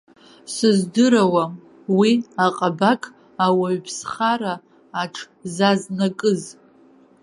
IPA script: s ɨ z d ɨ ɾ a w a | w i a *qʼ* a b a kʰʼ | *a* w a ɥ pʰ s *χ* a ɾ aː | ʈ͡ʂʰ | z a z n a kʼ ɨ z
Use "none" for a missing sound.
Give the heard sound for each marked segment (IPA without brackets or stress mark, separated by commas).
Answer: qʼ, a, χ